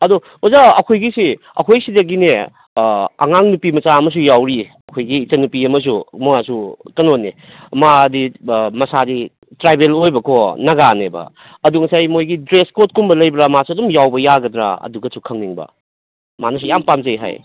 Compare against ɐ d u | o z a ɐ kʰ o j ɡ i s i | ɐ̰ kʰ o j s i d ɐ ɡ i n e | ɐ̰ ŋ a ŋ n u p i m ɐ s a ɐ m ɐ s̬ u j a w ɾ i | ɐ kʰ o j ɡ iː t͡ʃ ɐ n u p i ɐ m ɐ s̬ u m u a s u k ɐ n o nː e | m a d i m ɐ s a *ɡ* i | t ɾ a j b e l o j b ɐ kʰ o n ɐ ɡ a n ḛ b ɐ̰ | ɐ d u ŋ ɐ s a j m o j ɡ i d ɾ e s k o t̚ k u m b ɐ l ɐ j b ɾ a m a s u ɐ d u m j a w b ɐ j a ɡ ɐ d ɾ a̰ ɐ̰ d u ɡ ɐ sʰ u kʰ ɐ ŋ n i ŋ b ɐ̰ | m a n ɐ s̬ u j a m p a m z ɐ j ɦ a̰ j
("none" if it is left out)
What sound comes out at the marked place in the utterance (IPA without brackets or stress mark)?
d